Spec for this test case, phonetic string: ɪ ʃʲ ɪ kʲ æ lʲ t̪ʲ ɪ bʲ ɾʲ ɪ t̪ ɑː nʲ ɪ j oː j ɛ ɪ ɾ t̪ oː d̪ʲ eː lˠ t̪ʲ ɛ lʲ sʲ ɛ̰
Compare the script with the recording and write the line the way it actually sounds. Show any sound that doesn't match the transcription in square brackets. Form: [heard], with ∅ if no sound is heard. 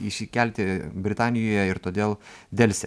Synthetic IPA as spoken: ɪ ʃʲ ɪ kʲ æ lʲ t̪ʲ ɪ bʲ ɾʲ ɪ t̪ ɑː nʲ ɪ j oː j ɛ ɪ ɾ t̪ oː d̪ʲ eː lˠ [d̪ʲ] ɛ lʲ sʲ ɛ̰